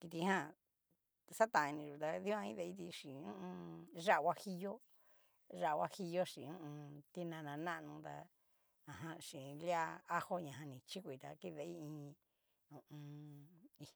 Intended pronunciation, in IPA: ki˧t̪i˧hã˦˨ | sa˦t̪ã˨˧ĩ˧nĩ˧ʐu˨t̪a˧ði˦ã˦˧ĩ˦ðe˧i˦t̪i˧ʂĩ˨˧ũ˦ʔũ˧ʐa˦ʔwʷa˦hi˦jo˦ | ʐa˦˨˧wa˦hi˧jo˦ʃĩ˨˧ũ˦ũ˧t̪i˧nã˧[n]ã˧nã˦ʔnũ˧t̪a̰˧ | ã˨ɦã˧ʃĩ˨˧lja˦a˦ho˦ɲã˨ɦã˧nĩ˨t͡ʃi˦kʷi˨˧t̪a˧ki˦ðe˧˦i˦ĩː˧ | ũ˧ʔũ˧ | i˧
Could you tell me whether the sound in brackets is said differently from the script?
no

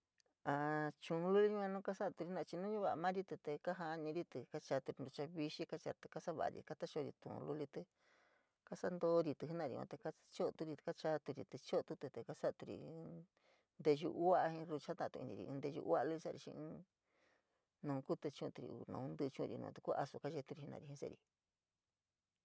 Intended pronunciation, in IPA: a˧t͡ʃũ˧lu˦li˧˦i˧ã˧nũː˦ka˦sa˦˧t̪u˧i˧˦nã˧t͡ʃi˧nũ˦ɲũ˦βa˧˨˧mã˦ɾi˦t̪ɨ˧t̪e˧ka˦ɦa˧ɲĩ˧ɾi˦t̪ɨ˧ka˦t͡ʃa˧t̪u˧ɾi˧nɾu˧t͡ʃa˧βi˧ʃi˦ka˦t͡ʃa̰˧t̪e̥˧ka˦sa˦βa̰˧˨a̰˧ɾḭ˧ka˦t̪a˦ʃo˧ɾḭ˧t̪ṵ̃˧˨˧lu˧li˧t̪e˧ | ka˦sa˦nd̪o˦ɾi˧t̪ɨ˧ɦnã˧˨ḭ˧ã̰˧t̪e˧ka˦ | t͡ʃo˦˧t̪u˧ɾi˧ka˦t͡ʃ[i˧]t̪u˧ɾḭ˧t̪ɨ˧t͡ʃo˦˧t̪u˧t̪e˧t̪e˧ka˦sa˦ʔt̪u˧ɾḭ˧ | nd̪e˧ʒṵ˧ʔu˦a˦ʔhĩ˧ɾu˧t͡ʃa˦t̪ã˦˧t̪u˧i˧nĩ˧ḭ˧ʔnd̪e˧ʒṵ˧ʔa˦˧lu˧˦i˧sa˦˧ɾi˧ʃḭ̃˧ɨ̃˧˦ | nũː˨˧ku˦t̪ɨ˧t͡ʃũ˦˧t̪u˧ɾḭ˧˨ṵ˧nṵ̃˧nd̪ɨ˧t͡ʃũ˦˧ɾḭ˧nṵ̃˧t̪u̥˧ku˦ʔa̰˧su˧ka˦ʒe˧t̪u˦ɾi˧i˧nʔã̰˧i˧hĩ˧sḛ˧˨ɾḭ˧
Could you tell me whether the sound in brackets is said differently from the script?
yes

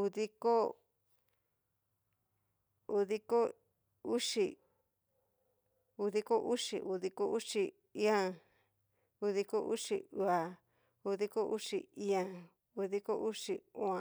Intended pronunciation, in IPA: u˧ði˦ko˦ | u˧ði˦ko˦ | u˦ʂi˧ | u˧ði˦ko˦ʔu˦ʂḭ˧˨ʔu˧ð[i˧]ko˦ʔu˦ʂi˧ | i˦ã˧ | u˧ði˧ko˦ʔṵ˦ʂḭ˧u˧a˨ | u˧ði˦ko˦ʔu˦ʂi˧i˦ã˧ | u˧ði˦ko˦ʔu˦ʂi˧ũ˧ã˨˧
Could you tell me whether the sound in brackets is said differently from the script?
no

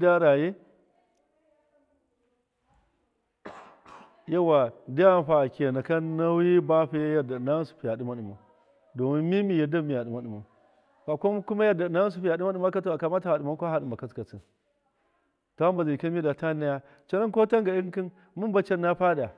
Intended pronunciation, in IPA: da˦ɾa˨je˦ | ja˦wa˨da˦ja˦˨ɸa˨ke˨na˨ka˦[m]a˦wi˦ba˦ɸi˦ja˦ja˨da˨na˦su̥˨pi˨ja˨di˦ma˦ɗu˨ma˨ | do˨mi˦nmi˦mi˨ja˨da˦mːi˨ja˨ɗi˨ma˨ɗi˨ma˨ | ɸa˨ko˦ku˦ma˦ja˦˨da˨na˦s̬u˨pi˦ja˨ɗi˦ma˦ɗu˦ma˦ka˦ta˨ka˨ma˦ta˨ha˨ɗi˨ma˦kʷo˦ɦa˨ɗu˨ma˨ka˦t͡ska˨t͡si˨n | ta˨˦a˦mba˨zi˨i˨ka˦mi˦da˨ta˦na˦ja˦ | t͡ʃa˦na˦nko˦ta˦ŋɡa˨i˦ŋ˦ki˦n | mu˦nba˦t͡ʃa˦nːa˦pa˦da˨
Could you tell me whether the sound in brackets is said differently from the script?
yes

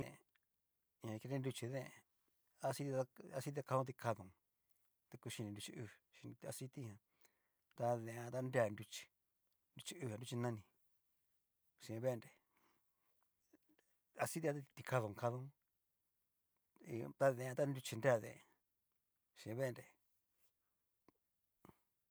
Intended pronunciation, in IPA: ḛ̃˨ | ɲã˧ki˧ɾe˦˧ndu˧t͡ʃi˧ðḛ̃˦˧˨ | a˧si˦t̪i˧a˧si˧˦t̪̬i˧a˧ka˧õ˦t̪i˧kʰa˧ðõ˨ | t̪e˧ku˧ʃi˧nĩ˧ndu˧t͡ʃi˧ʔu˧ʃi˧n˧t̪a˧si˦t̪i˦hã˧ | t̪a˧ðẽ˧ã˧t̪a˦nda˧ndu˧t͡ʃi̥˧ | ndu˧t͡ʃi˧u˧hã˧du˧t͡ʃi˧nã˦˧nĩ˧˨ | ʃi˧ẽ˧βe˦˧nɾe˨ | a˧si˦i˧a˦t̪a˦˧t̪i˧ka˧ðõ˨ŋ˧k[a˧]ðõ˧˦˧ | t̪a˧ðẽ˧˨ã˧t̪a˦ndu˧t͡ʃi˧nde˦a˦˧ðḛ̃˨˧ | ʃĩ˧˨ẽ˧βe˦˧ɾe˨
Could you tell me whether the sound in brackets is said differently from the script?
no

